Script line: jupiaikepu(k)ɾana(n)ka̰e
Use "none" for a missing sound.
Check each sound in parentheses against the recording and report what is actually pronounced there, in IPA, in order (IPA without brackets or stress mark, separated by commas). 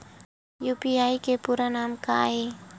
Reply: none, m